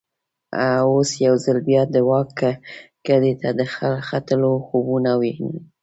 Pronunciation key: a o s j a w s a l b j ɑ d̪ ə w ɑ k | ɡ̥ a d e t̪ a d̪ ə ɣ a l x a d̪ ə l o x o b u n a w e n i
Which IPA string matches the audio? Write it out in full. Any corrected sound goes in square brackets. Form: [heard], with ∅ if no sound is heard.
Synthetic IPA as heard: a o s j a w [z] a l b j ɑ d̪ ə w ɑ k | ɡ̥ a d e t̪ a d̪ ə [x] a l x a [t̪] ə l o x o b u n a w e n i